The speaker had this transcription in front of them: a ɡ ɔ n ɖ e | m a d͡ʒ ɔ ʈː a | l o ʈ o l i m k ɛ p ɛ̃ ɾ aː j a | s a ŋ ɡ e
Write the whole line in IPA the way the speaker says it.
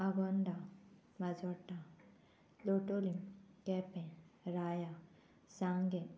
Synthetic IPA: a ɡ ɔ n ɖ a | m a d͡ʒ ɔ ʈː a | l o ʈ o l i m k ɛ p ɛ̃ ɾ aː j a | s a ŋ ɡ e